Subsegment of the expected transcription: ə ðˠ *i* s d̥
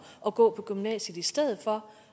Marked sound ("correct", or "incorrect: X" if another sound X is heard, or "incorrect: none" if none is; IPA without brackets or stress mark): correct